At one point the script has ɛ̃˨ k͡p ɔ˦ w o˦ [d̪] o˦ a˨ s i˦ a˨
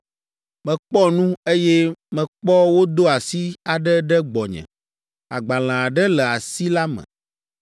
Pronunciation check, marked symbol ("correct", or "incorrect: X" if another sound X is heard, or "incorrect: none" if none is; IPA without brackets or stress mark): correct